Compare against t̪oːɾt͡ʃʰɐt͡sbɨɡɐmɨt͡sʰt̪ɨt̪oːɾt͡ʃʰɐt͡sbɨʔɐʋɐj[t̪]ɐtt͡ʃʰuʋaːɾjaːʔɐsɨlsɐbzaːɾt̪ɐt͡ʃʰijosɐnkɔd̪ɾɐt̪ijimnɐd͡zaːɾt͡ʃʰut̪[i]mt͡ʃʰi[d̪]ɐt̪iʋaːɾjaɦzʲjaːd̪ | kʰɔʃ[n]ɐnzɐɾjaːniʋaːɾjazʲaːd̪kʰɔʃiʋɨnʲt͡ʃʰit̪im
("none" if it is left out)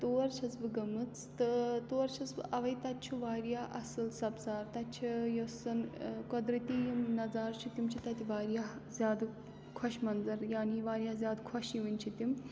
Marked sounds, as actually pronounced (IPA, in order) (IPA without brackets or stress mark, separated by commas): t̪, i, t̪, m